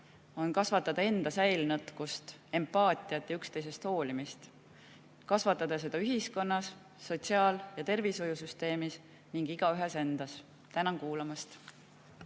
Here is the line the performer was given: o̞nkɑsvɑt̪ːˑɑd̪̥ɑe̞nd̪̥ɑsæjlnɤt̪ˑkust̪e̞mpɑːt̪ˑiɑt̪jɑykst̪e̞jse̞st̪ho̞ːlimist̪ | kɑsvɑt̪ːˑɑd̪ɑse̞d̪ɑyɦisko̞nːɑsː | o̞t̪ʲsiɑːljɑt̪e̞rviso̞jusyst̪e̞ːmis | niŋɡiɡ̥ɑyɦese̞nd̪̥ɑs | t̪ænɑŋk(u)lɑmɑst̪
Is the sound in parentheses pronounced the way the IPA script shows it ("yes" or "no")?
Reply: no